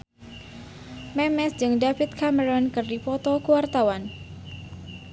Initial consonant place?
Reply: labial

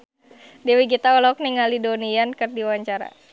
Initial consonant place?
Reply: alveolar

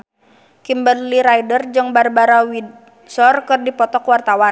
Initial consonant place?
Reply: velar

